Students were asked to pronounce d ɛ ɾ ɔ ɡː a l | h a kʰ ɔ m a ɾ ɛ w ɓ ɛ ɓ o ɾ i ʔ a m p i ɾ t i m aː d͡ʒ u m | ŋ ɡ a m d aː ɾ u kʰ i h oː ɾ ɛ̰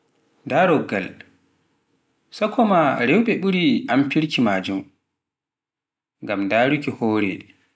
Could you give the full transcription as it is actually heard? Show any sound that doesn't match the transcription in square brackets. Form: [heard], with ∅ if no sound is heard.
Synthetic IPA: d [a] ɾ ɔ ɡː a l | [s] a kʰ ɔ m a ɾ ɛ w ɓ ɛ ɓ [u] ɾ i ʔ a m p i ɾ [k] i m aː d͡ʒ u m | ŋ ɡ a m d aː ɾ u [k] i h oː ɾ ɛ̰

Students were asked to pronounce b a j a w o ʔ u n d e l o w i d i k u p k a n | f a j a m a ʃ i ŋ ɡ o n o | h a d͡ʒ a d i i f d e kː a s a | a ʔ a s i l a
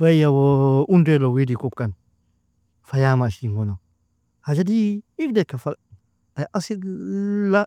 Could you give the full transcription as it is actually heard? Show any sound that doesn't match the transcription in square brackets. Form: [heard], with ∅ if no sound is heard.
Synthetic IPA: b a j a w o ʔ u n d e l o w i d i k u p k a n | f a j a m a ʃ i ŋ ɡ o n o | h a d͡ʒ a d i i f d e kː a [f] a | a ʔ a s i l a

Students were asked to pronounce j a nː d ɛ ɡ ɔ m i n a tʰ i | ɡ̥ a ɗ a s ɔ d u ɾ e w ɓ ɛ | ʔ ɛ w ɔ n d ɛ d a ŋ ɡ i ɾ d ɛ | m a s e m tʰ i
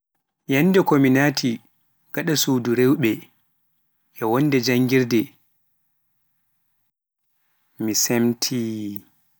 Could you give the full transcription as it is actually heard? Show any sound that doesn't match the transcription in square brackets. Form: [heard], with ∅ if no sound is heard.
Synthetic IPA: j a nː d ɛ [k] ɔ m i n a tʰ i | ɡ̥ a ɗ a s [u] d u ɾ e w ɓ ɛ | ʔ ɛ w ɔ n d ɛ [d͡ʒ] a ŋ ɡ i ɾ d ɛ | m [i] s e m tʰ i

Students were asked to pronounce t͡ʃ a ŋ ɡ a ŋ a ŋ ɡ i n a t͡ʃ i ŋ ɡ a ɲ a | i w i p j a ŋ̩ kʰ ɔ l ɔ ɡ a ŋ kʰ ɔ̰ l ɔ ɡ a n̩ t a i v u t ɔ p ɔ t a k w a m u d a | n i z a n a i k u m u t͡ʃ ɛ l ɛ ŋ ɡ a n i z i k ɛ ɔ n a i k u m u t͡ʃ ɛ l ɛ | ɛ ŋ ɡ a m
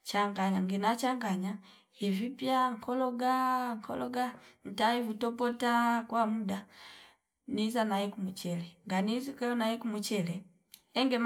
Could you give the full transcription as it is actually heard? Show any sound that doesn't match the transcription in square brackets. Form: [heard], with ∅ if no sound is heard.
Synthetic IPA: t͡ʃ a ŋ ɡ a [ɲ] a ŋ ɡ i n a t͡ʃ [a] ŋ ɡ a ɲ a | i [v] i p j a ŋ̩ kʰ ɔ l ɔ ɡ a ŋ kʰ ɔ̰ l ɔ ɡ a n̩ t a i v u t ɔ p ɔ t a k w a m u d a | n i z a n a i k u m u t͡ʃ ɛ l ɛ ŋ ɡ a n i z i k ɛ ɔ n a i k u m u t͡ʃ ɛ l ɛ | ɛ ŋ ɡ [ɛ] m

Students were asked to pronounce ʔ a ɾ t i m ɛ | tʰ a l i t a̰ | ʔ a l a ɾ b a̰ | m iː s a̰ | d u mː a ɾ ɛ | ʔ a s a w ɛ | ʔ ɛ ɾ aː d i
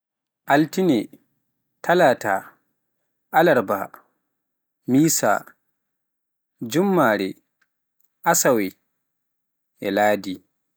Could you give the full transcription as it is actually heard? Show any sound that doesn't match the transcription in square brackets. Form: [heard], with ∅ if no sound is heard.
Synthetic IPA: ʔ a [l] t i [n] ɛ | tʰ a l [a] t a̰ | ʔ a l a ɾ b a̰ | m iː s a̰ | [d͡ʒ] u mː a ɾ ɛ | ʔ a s a w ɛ | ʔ ɛ [l] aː d i

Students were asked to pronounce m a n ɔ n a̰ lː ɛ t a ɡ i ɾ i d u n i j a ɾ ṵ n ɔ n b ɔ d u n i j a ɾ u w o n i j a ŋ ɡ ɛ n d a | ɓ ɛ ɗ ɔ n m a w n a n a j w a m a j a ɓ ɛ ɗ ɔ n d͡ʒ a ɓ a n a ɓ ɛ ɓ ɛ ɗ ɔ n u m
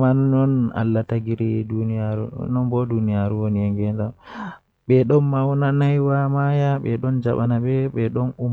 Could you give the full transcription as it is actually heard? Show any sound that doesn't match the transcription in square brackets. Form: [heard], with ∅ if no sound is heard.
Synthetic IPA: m a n ɔ n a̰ lː [a] t a ɡ i ɾ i d u n i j a ɾ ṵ n ɔ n b ɔ d u n i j a ɾ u w o n i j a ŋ ɡ ɛ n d a | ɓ ɛ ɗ ɔ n m a w n a n a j w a m a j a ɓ ɛ ɗ ɔ n d͡ʒ a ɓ a n a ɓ ɛ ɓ ɛ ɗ ɔ n u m

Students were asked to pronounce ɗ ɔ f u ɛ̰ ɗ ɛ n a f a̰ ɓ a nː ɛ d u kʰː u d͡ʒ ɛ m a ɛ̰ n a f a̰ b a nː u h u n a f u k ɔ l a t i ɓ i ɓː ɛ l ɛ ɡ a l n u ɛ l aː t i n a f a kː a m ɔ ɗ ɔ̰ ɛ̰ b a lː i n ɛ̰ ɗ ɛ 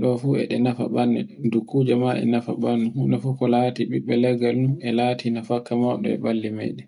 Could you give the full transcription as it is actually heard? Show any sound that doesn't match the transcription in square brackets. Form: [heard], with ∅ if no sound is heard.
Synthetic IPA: ɗ ɔ f u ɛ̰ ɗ ɛ n a f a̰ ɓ a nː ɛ d u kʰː u d͡ʒ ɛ m a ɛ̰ n a f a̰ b a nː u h u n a f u k ɔ l a t i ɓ i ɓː ɛ l ɛ ɡ a l n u ɛ l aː t i n a f a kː a m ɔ ɗ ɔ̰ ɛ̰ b a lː i [m] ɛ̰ ɗ ɛ

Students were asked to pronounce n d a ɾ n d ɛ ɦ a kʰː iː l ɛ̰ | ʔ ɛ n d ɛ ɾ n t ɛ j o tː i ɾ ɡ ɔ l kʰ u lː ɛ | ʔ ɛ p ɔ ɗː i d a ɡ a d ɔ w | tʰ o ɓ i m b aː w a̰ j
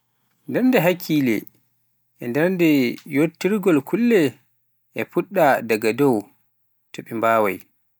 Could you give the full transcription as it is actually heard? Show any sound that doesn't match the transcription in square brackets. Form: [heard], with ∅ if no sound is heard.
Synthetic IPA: n d [ɛ] ɾ n d ɛ ɦ a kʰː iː l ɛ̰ | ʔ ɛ n d ɛ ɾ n [d] ɛ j o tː i ɾ ɡ ɔ l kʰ u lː ɛ | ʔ ɛ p [u] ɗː [a] d a ɡ a d ɔ w | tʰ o ɓ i m b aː w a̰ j

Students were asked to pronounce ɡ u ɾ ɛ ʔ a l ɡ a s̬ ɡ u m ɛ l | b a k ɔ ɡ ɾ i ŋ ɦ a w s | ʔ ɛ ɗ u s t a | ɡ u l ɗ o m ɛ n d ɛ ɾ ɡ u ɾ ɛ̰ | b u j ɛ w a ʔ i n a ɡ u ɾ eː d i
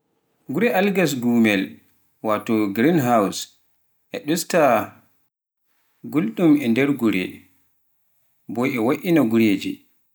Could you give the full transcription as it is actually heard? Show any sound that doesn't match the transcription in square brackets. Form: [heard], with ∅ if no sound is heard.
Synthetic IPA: ɡ u ɾ ɛ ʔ a l ɡ a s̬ ɡ u m ɛ l | [w] a [t] ɔ ɡ ɾ i [n] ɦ a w s | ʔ ɛ ɗ u s t a | ɡ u l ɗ [u] m ɛ n d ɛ ɾ ɡ u ɾ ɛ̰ | b [ɔ] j ɛ w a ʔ i n a ɡ u ɾ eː [d͡ʒ] i

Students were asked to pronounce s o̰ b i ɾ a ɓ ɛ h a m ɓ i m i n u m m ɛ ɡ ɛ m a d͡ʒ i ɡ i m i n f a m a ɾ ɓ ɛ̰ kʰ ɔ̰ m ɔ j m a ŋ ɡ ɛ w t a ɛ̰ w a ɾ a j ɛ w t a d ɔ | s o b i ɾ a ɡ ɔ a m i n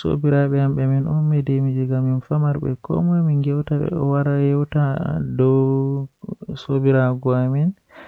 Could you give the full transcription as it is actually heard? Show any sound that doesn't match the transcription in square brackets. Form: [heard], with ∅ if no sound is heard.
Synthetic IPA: s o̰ b i ɾ a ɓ ɛ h a m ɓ [ɛ] m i n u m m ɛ [d] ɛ m [i] d͡ʒ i ɡ [a] m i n f a m a ɾ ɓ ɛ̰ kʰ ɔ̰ m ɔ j m [i] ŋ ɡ ɛ w t a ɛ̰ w a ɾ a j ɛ w t a d ɔ | s o b i ɾ a ɡ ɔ a m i n

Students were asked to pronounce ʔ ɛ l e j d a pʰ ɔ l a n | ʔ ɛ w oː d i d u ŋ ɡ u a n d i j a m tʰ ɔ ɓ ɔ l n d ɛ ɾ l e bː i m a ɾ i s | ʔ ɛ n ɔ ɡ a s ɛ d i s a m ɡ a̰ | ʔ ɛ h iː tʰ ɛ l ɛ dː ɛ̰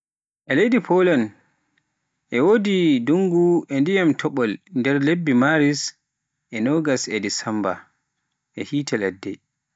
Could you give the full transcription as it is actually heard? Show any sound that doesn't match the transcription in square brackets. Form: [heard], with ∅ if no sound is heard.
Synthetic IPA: ʔ ɛ l e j d [i] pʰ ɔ l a n | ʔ ɛ w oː d i d u ŋ ɡ u [ɛ] n d i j a m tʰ ɔ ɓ ɔ l n d ɛ ɾ l e bː i m a ɾ i s | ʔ ɛ n ɔ ɡ a s ɛ d i s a m [b] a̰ | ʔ ɛ h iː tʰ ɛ l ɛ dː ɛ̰

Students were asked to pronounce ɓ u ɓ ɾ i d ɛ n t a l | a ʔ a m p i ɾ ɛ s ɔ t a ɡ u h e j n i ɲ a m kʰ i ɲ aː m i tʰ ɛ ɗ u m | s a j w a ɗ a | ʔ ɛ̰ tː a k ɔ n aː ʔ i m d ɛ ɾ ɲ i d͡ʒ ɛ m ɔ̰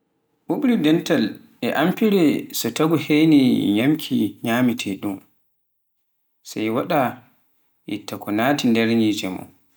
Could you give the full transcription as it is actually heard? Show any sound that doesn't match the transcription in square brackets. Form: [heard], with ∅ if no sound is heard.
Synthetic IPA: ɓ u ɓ ɾ i d ɛ n t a l | [ɛ] ʔ a m p i ɾ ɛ s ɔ t a ɡ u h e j n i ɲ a m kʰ i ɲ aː m i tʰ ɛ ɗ u m | s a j w a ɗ a | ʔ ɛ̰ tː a k ɔ n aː [t] i [n] d ɛ ɾ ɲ i d͡ʒ ɛ m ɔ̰

